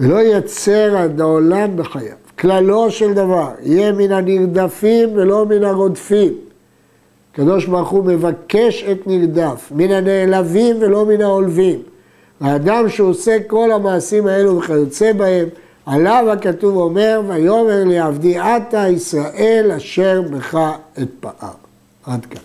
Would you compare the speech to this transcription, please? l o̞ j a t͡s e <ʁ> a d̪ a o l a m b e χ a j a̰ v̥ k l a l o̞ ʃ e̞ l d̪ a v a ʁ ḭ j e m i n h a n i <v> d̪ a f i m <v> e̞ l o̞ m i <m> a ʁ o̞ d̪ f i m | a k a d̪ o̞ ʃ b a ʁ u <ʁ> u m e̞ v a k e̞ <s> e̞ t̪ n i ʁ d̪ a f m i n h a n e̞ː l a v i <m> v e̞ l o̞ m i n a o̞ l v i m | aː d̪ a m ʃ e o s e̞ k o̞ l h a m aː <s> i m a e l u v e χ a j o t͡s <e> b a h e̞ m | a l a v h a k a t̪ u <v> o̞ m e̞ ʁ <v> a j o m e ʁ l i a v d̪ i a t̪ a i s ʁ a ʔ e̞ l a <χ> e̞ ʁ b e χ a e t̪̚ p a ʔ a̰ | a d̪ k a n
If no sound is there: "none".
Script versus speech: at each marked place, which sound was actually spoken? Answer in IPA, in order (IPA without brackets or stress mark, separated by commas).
ʁ, ʁ, v, n, χ, ʃ, m, s, e, v, v, ʃ